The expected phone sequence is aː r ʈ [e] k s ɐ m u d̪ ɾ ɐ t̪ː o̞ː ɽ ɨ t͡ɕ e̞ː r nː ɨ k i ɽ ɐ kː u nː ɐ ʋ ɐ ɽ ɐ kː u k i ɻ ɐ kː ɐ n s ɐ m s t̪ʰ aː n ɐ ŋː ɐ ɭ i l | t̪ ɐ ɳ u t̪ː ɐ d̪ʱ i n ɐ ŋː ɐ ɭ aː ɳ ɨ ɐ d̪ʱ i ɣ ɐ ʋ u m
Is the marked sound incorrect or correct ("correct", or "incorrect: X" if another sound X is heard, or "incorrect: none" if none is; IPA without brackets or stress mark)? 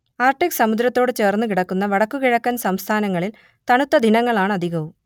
incorrect: i